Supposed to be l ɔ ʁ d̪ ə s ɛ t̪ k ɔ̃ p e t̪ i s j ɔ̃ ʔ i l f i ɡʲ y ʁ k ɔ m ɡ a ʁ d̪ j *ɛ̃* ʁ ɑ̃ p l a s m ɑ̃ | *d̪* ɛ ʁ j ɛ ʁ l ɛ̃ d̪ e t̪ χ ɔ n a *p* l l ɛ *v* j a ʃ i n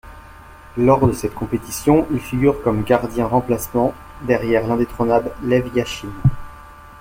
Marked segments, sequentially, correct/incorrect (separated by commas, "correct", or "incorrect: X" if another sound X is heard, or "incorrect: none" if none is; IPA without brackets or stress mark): correct, correct, incorrect: b, correct